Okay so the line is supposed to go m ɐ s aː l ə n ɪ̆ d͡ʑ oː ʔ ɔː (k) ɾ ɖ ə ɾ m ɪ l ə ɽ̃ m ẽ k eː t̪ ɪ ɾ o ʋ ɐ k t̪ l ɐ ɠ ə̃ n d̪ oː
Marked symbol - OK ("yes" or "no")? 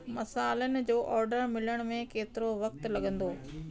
no